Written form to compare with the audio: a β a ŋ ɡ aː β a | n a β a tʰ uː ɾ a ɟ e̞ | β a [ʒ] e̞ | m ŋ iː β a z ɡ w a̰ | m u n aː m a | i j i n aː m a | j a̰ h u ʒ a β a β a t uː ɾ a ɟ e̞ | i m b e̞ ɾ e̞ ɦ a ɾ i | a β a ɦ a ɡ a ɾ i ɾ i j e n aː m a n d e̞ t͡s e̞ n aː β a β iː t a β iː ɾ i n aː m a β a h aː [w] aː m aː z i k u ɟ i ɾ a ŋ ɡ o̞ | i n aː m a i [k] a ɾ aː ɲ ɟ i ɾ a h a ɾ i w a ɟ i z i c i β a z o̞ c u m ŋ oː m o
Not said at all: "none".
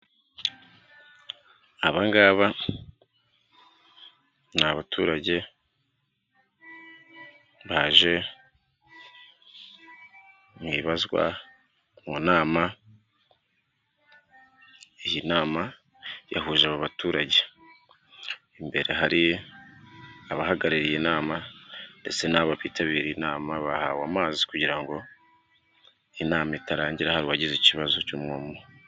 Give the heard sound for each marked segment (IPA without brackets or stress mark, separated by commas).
ʒ, w, t